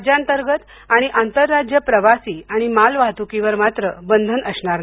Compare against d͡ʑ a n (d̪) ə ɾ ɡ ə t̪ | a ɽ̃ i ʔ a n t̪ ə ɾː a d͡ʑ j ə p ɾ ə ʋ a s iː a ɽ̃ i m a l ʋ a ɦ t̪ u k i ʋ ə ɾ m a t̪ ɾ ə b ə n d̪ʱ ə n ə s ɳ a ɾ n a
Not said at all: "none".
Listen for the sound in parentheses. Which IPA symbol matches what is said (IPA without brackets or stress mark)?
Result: t̪